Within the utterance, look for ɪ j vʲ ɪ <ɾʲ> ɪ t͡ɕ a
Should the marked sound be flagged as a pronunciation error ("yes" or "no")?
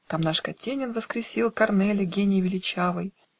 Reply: yes